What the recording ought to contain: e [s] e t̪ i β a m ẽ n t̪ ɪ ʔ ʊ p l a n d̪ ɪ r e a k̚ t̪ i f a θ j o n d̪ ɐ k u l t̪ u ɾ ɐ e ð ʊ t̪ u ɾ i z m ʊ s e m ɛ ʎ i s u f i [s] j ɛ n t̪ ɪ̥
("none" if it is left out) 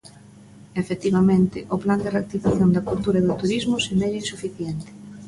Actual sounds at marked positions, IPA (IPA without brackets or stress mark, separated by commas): f, θ